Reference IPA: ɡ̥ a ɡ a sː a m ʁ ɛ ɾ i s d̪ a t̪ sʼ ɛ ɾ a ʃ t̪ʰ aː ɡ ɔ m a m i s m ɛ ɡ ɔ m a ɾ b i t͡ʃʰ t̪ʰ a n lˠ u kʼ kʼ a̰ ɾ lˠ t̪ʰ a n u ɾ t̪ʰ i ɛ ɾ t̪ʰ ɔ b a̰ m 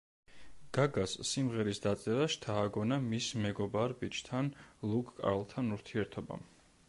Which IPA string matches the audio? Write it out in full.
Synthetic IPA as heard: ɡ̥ a ɡ a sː i m ʁ ɛ ɾ i s d̪ a t̪ sʼ ɛ ɾ a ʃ t̪ʰ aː ɡ ɔ n a m i s m ɛ ɡ ɔ b a ɾ b i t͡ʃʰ t̪ʰ a n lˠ u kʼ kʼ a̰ ɾ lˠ t̪ʰ a n u ɾ t̪ʰ i ɛ ɾ t̪ʰ ɔ b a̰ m

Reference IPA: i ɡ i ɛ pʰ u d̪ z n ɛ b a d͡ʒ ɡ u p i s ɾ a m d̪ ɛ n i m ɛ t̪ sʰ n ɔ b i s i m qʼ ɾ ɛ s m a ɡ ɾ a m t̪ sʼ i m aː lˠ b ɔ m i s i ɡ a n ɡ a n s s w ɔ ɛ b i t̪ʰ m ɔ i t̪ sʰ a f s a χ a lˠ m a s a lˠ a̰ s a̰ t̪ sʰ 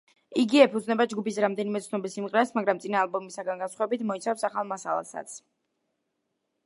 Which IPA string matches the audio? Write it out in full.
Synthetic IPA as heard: i ɡ i ɛ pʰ u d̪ z n ɛ b a d͡ʒ ɡ u p i s ɾ a m d̪ ɛ n i m ɛ t̪ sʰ n ɔ b i s i m qʼ ɾ ɛ s m a ɡ ɾ a m t̪ sʼ i n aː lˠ b ɔ m i s a ɡ a n ɡ a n s χ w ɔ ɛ b i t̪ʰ m ɔ i t̪ sʰ a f s a χ a lˠ m a s a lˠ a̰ s a̰ t̪ sʰ

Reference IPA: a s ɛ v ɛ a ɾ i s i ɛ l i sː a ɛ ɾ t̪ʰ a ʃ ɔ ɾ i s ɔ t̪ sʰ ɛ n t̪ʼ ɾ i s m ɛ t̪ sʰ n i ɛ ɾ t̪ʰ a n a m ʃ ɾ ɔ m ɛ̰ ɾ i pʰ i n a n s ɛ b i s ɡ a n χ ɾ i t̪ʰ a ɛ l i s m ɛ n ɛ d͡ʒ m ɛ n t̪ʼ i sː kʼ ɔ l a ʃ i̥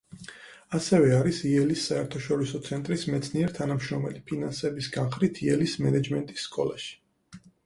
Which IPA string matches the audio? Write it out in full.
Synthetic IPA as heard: a s ɛ v ɛ a ɾ i s i ɛ l i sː a ɛ ɾ t̪ʰ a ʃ ɔ ɾ i s ɔ t̪ sʰ ɛ n t̪ʼ ɾ i s m ɛ t̪ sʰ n i ɛ ɾ t̪ʰ a n a m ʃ ɾ ɔ m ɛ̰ l i pʰ i n a n s ɛ b i s ɡ a n χ ɾ i t̪ʰ i ɛ l i s m ɛ n ɛ d͡ʒ m ɛ n t̪ʼ i sː kʼ ɔ l a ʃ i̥

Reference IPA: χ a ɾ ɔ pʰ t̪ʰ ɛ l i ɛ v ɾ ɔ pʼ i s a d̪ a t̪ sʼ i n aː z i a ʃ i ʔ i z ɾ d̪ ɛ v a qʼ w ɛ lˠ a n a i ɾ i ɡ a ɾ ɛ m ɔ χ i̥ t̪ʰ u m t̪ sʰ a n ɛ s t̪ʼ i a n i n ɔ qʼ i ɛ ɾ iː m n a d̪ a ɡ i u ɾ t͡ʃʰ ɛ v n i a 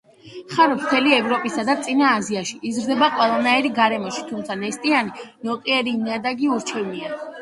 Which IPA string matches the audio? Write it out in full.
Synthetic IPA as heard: χ a ɾ ɔ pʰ t̪ʰ ɛ l i ɛ v ɾ ɔ pʼ i s a d̪ a t̪ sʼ i n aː z i a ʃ i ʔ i z ɾ d̪ ɛ b a qʼ w ɛ lˠ a n a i ɾ i ɡ a ɾ ɛ m ɔ ʃ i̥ t̪ʰ u m t̪ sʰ a n ɛ s t̪ʼ i a n i n ɔ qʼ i ɛ ɾ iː m n a d̪ a ɡ i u ɾ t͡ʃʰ ɛ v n i a

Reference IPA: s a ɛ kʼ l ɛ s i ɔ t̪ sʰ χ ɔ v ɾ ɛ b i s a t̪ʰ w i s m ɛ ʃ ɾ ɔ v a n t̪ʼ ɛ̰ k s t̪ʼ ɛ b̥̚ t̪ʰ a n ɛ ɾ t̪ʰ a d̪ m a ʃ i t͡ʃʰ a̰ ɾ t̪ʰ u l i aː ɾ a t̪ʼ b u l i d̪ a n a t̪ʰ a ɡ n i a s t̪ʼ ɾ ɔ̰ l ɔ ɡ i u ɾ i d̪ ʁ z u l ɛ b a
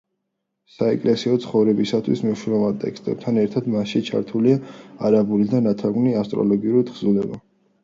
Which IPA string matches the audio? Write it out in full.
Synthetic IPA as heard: s a ɛ kʼ l ɛ s i ɔ t̪ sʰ χ ɔ v ɾ ɛ b i s a t̪ʰ w i s m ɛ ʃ ɾ ɔ v a n t̪ʼ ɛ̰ k s t̪ʼ ɛ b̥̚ t̪ʰ a n ɛ ɾ t̪ʰ a d̪ m a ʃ i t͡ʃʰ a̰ ɾ t̪ʰ u l i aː ɾ a b u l i d̪ a n a t̪ʰ a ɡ n i a s t̪ʼ ɾ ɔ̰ l ɔ ɡ i u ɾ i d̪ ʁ z u l ɛ b a

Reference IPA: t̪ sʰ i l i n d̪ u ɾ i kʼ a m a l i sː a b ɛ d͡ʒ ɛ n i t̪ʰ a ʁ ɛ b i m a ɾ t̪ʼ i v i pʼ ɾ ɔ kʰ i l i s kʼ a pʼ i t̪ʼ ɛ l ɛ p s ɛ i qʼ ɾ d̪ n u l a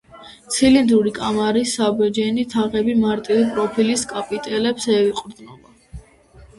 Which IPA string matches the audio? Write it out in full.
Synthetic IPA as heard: t̪ sʰ i l i n d̪ u ɾ i kʼ a m a ɾ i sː a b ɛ d͡ʒ ɛ n i t̪ʰ a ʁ ɛ b i m a ɾ t̪ʼ i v i pʼ ɾ ɔ pʰ i l i s kʼ a pʼ i t̪ʼ ɛ l ɛ p s ɛ i qʼ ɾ d̪ n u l a

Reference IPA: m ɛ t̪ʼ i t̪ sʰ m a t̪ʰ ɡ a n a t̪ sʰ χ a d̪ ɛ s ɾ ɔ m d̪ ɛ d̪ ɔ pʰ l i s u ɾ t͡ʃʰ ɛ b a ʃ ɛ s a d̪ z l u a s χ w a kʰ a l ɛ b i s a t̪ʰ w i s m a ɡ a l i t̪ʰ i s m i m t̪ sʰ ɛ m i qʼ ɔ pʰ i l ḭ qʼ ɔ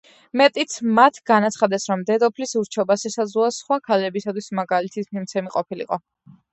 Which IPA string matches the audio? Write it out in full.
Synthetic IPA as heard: m ɛ t̪ʼ i t̪ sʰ m a t̪ʰ ɡ a n a t̪ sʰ χ a d̪ ɛ s ɾ ɔ m d̪ ɛ d̪ ɔ pʰ l i s u ɾ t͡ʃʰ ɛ b a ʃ ɛ s a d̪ z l u a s χ w a kʰ a l ɛ b i s a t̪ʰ w i s m a ɡ a l i t̪ʰ i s m i m t̪ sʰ ɛ m i qʼ ɔ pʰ i l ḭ qʼ ɔ

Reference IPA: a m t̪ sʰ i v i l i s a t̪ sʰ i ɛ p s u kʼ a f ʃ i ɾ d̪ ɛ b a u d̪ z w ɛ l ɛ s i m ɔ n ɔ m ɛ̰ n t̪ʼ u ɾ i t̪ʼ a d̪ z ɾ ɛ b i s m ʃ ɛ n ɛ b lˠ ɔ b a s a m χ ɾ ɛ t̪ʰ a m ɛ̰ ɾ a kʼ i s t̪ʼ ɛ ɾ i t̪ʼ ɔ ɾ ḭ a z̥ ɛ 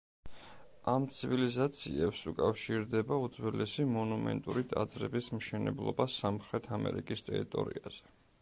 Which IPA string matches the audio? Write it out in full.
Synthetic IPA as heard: a m t̪ sʰ i v i l i z a t̪ sʰ i ɛ p s u kʼ a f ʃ i ɾ d̪ ɛ b a u d̪ z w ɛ l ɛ s i m ɔ n u m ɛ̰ n t̪ʼ u ɾ i t̪ʼ a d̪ z ɾ ɛ b i s m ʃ ɛ n ɛ b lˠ ɔ b a s a m χ ɾ ɛ t̪ʰ a m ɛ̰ ɾ i kʼ i s t̪ʼ ɛ ɾ i t̪ʼ ɔ ɾ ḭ a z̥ ɛ

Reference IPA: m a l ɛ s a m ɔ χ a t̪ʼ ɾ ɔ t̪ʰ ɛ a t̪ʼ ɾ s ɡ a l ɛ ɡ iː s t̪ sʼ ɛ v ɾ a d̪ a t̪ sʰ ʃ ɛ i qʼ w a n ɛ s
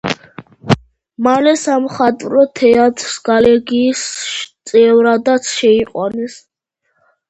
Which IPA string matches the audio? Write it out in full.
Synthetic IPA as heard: m a l ɛ s a m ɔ χ a t̪ʼ ɾ ɔ t̪ʰ ɛ a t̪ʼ ɾ s ɡ a l ɛ ɡ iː s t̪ sʼ ɛ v ɾ a d̪ a t̪ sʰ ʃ ɛ i qʼ w a n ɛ s

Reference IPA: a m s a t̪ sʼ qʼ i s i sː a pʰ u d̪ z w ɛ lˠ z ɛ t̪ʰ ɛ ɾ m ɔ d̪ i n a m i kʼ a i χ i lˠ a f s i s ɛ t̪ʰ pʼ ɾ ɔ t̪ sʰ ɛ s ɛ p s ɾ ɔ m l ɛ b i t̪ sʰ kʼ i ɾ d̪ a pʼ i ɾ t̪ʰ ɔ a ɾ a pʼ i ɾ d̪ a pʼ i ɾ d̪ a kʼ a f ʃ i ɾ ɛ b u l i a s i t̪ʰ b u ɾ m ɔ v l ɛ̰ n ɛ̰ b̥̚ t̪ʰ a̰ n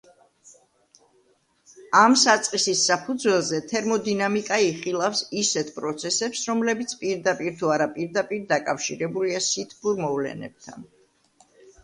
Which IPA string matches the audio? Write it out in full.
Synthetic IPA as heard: a m s a t̪ sʼ qʼ i s i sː a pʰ u d̪ z w ɛ lˠ z ɛ t̪ʰ ɛ ɾ m ɔ d̪ i n a m i kʼ a i χ i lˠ a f s i s ɛ t̪ʰ pʼ ɾ ɔ t̪ sʰ ɛ s ɛ p s ɾ ɔ m l ɛ b i t̪ sʰ pʼ i ɾ d̪ a pʼ i ɾ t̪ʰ u a ɾ a pʼ i ɾ d̪ a pʼ i ɾ d̪ a kʼ a f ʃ i ɾ ɛ b u l i a s i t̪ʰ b u ɾ m ɔ v l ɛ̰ n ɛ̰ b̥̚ t̪ʰ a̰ n

